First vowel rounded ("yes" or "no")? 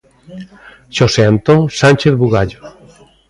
yes